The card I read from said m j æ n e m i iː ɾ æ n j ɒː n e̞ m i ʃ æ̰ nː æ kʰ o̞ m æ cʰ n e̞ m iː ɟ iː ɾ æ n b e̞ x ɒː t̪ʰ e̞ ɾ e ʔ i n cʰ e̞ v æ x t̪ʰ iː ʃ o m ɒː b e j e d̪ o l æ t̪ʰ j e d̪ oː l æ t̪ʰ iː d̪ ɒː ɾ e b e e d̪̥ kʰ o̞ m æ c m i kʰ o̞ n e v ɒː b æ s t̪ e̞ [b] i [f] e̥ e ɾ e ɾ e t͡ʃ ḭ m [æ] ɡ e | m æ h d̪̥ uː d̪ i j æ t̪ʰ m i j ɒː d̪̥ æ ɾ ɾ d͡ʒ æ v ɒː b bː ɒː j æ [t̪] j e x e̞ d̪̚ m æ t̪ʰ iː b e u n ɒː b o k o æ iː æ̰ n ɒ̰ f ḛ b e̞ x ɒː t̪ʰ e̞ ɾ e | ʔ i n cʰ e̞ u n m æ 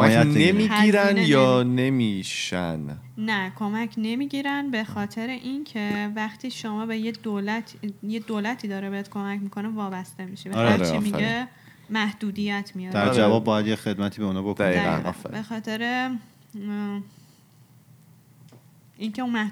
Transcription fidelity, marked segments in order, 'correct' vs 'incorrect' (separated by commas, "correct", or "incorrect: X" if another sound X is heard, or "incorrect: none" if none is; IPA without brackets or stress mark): incorrect: m, incorrect: ʃ, incorrect: i, incorrect: d̪